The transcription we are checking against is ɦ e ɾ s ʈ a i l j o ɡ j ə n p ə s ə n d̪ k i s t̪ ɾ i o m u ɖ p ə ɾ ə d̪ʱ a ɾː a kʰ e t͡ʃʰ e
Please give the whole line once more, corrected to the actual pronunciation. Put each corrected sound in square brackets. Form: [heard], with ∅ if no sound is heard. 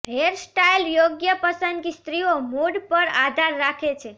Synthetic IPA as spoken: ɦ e ɾ s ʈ a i l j o ɡ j ə [∅] p ə s ə n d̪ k i s t̪ ɾ i o m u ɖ p ə ɾ [a] d̪ʱ a ɾː a kʰ e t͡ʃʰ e